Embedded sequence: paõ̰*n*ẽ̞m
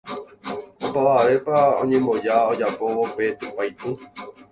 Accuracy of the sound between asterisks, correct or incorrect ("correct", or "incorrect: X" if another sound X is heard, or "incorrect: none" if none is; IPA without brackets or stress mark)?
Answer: incorrect: ɲ